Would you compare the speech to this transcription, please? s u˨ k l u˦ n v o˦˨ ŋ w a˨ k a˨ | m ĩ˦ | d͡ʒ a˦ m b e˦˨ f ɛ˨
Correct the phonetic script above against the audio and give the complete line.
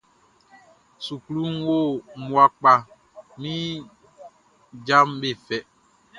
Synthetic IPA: s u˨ k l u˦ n w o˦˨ m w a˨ k͡p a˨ | m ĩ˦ | d͡ʒ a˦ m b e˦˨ f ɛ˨